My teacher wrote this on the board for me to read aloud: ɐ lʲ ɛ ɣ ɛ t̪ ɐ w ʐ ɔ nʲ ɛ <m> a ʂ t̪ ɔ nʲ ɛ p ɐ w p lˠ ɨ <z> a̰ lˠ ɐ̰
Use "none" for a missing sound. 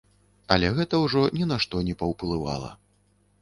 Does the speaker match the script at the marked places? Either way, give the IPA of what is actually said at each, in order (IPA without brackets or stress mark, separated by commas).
n, v